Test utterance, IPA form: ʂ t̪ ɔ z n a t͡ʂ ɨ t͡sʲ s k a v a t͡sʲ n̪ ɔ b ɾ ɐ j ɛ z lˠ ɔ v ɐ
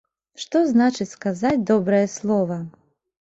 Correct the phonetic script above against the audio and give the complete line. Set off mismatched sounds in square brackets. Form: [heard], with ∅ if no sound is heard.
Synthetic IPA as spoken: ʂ t̪ ɔ z n a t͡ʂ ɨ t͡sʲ s k a [z] a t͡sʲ [d̪] ɔ b ɾ ɐ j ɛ [s] lˠ ɔ v ɐ